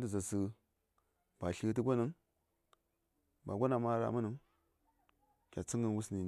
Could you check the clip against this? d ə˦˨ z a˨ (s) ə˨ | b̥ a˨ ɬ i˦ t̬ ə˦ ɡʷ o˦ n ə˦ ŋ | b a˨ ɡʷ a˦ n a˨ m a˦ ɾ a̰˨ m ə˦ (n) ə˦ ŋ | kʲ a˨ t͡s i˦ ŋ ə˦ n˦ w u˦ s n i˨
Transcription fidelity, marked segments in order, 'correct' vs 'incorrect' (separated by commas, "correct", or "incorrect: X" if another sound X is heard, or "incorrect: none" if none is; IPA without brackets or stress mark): correct, correct